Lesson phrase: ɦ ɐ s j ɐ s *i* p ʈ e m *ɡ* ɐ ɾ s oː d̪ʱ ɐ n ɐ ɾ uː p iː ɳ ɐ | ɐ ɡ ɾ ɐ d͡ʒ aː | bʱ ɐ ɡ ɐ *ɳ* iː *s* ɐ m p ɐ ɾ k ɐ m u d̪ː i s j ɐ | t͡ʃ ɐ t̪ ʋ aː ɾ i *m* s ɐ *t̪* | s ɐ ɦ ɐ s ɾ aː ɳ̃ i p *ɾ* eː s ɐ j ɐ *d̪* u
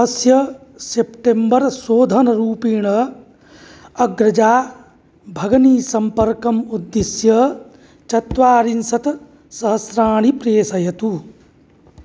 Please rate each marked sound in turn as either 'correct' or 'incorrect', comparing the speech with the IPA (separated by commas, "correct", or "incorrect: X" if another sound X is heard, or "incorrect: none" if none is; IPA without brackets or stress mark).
incorrect: e, incorrect: b, incorrect: n, correct, incorrect: n, correct, correct, incorrect: t̪